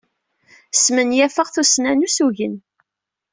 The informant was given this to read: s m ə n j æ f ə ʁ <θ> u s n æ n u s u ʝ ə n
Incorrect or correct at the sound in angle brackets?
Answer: correct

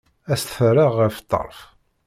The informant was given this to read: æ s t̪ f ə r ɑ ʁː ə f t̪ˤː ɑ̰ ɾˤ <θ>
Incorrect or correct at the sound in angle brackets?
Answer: incorrect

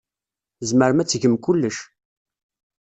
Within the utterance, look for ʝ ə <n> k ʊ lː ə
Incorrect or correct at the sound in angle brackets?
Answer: incorrect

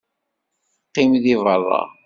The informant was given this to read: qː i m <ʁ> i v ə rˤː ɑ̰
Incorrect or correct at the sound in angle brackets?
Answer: incorrect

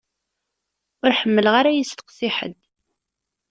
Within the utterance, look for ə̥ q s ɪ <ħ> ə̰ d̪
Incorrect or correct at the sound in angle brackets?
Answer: correct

